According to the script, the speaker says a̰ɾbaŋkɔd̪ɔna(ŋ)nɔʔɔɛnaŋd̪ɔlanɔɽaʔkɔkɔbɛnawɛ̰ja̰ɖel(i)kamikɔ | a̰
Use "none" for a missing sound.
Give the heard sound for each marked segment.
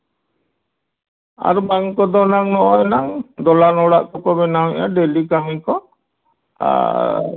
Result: ŋ, i

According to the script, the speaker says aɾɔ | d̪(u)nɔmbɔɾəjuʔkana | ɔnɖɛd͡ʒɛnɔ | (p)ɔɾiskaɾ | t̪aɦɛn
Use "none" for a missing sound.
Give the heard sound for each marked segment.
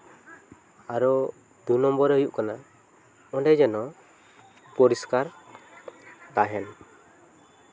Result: u, p

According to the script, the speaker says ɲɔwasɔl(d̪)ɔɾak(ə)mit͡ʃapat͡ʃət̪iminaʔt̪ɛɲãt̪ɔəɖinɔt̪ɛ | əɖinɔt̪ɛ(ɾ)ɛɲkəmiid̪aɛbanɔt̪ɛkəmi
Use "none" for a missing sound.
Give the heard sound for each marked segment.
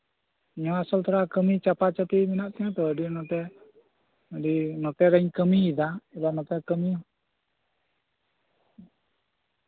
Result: t̪, ə, ɾ

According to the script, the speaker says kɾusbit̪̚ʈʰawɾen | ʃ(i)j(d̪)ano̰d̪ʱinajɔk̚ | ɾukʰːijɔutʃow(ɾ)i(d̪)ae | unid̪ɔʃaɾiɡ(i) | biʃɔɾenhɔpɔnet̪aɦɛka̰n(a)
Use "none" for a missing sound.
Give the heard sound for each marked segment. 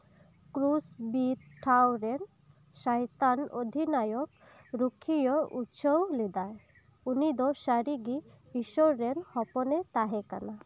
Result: a, t̪, l, d̪, i, a

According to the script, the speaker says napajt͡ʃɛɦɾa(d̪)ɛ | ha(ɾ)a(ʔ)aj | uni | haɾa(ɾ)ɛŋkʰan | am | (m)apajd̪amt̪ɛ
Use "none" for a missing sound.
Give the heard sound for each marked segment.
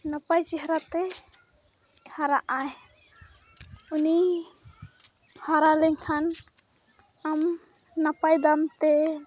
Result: t̪, ɾ, ʔ, l, n

